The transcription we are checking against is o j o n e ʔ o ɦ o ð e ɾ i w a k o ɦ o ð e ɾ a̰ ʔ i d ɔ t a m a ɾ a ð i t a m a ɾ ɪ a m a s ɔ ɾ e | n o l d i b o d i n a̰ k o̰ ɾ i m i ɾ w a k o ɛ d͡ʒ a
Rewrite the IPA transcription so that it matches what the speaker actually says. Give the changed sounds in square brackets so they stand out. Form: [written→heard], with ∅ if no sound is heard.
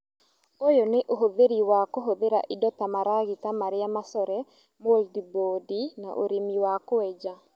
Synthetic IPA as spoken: o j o n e ʔ o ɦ o ð e ɾ i w a k o ɦ o ð e ɾ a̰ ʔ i d ɔ t a m a ɾ a [ð→ɣ] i t a m a ɾ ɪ a m a s ɔ ɾ [e→ɛ] | [n→m] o l d i b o d i n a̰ [k→ʔ] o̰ ɾ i m i [ɾ→∅] w a k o ɛ d͡ʒ a

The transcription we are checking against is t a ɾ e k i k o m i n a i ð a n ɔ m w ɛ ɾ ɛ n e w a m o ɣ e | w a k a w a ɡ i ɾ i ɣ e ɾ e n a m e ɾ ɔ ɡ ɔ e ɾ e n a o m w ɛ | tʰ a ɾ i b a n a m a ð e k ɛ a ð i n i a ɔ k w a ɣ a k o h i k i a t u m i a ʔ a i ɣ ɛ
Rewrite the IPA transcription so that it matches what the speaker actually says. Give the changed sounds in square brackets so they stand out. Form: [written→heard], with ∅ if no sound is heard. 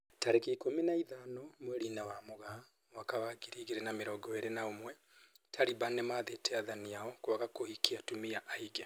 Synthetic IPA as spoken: t a ɾ e k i k o m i n a i ð a n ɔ m w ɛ ɾ [ɛ→i] n [e→a] w a m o ɣ [e→a] | w a k a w a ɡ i ɾ i ɣ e ɾ e n a m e ɾ ɔ ɡ ɔ e ɾ e n a o m w ɛ | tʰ a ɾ i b a n [a→e] m a ð e [k→t] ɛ a ð [i→a] n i a ɔ k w a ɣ a k o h i k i a t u m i a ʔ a i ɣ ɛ

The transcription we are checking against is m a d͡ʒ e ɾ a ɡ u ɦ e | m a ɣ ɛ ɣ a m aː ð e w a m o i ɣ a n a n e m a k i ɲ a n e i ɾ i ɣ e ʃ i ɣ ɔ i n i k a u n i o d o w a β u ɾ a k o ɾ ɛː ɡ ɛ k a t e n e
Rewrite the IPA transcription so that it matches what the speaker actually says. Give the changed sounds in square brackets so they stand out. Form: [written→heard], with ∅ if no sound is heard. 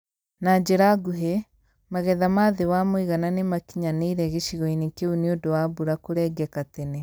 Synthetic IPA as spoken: [m→n] a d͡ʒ e ɾ a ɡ u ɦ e | m a ɣ ɛ [ɣ→ð] a m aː ð e w a m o i ɣ a n a n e m a k i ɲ a n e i ɾ [i→ɛ] ɣ e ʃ i ɣ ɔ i n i k [a→e] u n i o d o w a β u ɾ a k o ɾ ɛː ɡ ɛ k a t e n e

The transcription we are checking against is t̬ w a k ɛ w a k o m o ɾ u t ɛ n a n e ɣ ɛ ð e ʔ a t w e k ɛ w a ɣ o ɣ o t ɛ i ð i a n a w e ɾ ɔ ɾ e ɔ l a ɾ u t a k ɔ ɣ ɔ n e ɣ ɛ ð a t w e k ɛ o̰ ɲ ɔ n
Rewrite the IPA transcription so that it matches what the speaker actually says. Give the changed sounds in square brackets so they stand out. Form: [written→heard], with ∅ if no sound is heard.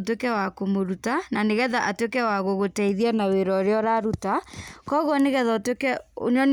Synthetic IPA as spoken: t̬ w [a→e] k ɛ w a k o m o ɾ u t [ɛ→a] n a n e ɣ ɛ ð [e→a] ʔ a t w e k ɛ w a ɣ o ɣ o t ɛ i ð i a n a w e ɾ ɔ ɾ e ɔ [l→ɾ] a ɾ u t a k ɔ ɣ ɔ n e ɣ ɛ ð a t w e k ɛ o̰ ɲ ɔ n

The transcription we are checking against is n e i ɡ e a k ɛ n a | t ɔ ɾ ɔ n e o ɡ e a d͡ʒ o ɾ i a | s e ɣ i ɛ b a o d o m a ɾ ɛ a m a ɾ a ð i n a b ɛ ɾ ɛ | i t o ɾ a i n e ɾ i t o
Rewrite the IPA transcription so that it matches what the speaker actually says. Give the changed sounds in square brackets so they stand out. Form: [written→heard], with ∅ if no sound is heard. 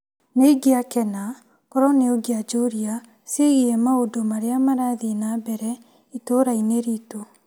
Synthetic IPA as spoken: n e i ɡ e a k ɛ n a | [t→k] ɔ ɾ ɔ n e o ɡ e a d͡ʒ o ɾ i a | s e ɣ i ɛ [b→m] a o d o m a ɾ [ɛ→e] a m a ɾ a ð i n a b ɛ ɾ ɛ | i t o ɾ a i n e ɾ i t o

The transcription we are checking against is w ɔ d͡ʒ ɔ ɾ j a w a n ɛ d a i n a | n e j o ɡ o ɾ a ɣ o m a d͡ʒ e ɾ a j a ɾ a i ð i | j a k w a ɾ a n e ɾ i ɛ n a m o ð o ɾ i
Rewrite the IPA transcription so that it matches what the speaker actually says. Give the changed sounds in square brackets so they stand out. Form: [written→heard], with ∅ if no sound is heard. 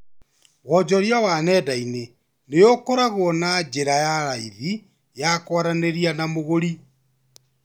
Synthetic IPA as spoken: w ɔ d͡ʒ ɔ ɾ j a w a n ɛ d a i n [a→e] | n e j o [ɡ→k] o ɾ a ɣ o [m→n] a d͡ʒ e ɾ a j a ɾ a i ð i | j a k w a ɾ a n e ɾ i [ɛ→a] n a m o [ð→ɣ] o ɾ i

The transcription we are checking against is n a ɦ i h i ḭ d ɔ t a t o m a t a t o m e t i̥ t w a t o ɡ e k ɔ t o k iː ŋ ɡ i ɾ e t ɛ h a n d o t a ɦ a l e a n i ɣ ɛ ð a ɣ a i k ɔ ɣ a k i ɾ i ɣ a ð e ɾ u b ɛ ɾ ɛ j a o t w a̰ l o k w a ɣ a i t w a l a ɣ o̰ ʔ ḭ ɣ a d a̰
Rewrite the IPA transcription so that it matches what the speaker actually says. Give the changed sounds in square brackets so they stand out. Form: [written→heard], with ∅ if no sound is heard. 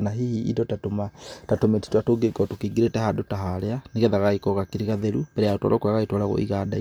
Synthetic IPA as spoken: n a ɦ i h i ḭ d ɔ t a t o m a t a t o m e t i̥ t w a t o ɡ e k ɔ t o k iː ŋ ɡ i ɾ e t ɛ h a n d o t a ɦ a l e a n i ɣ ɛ ð a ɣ a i k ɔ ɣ a k i ɾ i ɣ a ð e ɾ u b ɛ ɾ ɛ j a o t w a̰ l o k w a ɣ a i t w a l a ɣ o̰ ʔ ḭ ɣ a d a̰

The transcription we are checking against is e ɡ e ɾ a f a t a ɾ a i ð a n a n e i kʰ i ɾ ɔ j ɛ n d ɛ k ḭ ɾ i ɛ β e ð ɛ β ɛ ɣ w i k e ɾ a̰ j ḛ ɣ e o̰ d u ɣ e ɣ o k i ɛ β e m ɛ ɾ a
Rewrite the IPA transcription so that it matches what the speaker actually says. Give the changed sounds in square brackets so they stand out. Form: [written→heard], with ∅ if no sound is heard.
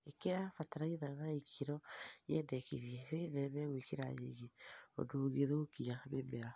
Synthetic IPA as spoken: e [ɡ→k] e ɾ a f a t a ɾ a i ð a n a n [e→a] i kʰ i ɾ ɔ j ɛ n d ɛ k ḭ ɾ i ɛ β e ð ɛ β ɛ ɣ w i k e ɾ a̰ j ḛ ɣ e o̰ d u ɣ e [ɣ→ð] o k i [ɛ→a] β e m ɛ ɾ a

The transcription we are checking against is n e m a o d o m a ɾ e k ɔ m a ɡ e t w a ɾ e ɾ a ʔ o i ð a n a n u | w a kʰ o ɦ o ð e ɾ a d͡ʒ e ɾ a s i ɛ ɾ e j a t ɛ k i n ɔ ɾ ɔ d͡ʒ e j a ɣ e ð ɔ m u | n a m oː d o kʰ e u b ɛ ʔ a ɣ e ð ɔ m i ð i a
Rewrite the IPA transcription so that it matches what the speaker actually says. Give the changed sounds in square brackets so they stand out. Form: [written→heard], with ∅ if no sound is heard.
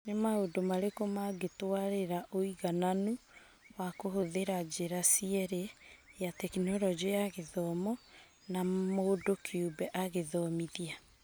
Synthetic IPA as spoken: n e m a o d o m a ɾ e k [ɔ→o] m a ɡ e t w a ɾ e ɾ a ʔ o i [ð→ɣ] a n a n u | w a [kʰ→k] o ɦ o ð e ɾ a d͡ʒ e ɾ a s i ɛ ɾ e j a t ɛ k i n ɔ ɾ ɔ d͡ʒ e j a ɣ e ð ɔ m [u→ɔ] | n a m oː d o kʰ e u b ɛ ʔ a ɣ e ð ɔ m i ð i a

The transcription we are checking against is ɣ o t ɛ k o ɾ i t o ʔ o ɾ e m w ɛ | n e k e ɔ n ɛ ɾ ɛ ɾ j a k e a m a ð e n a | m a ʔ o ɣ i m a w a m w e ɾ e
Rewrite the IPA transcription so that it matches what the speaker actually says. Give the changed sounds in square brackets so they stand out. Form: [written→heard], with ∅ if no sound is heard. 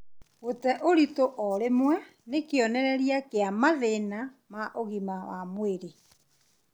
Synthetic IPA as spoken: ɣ o t ɛ [k→ʔ] o ɾ i t o ʔ [o→ɔ] ɾ e m w ɛ | n e k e ɔ n ɛ ɾ ɛ ɾ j a k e a m a ð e n a | m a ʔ o ɣ i m a w a m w e ɾ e

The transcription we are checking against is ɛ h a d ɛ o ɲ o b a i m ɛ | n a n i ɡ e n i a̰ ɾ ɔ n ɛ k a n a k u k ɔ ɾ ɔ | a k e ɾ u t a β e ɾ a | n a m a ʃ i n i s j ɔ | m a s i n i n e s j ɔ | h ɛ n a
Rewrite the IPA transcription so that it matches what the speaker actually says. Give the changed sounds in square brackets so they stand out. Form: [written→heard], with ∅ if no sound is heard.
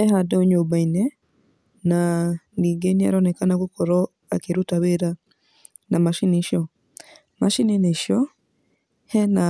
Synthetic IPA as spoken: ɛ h a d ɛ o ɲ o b a i [m→n] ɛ | n a n i ɡ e n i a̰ ɾ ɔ n ɛ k a n a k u k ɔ ɾ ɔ | a k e ɾ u t a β e ɾ a | n a m a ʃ i n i [s→ʃ] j ɔ | m a [s→ʃ] i n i n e [s→ʃ] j ɔ | h ɛ n a

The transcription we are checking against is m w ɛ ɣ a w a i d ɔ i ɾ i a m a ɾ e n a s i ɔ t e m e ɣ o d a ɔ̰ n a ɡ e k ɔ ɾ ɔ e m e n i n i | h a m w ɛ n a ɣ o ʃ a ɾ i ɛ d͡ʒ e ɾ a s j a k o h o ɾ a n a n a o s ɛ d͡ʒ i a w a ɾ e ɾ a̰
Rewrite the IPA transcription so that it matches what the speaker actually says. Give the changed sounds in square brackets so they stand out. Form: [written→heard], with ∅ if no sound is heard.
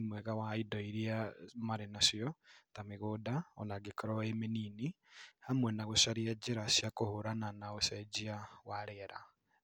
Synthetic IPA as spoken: m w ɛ ɣ a w a i d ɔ i ɾ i a m a ɾ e n a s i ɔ t [e→a] m e ɣ o d a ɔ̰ n a ɡ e k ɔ ɾ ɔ e m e n i n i | h a m w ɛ n a ɣ o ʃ a ɾ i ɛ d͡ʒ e ɾ a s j a k o h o ɾ a n a n a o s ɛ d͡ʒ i a w a ɾ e ɾ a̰

